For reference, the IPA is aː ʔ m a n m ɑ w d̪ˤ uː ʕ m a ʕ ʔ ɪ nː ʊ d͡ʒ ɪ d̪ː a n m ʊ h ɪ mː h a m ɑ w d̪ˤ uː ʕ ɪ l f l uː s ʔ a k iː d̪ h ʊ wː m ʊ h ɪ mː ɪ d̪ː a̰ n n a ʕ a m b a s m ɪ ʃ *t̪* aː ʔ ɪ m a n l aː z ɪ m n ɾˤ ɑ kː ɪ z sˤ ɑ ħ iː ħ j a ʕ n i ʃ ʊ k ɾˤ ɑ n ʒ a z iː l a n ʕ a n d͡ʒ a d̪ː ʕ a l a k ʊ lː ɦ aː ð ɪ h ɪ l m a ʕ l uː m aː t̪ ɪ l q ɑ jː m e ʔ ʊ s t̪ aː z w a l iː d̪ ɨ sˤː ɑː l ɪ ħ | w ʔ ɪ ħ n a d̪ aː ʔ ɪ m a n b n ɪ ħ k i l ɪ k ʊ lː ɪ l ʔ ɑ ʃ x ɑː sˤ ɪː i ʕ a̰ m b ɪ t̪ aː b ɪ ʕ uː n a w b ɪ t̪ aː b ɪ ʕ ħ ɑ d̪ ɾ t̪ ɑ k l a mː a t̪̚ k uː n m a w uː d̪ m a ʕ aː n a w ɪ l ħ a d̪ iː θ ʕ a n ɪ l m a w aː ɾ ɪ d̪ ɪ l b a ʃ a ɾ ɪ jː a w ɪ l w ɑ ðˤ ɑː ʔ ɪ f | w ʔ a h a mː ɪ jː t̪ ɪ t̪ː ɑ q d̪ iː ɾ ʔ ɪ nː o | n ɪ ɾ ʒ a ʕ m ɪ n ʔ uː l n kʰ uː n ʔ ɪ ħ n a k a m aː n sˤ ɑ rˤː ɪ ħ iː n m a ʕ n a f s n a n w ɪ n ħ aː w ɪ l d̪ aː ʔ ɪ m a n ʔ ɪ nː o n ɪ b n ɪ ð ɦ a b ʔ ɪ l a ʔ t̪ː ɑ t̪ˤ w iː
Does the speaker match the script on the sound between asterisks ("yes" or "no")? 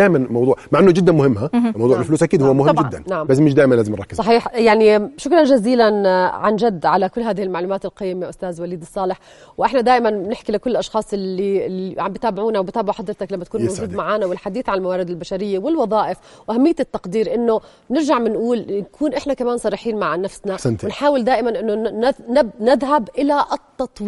no